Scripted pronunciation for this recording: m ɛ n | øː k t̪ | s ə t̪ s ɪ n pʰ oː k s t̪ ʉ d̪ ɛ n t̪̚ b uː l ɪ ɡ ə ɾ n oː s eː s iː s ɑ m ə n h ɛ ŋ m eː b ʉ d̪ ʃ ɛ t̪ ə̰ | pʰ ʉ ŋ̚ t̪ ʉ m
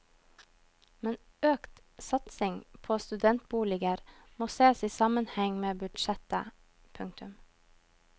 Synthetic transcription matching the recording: m ɛ n | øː k t̪ | s ɑ t̪ s ɪ ŋ pʰ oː s t̪ ʉ d̪ ɛ n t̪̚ b uː l ɪ ɡ ə ɾ m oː s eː s iː s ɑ m ə n h ɛ ŋ m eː b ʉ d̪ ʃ ɛ t̪ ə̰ | pʰ ʉ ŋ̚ t̪ ʉ m